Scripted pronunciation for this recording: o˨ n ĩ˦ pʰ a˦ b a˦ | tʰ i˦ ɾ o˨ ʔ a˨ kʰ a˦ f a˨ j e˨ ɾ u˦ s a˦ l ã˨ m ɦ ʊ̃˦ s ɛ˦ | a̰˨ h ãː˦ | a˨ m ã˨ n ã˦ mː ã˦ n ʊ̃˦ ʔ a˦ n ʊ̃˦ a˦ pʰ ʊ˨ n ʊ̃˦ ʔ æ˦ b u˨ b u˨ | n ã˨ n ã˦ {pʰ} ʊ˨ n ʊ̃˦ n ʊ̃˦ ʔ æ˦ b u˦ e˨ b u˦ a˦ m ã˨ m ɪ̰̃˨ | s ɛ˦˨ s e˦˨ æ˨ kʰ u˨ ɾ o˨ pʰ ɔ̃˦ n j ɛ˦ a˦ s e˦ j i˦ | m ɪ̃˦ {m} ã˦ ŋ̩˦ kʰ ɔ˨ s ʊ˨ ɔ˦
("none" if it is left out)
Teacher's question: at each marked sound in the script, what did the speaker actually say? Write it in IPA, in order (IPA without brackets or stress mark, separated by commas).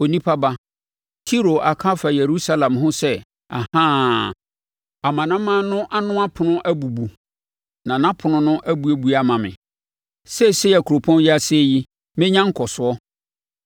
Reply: pʰ, ɲ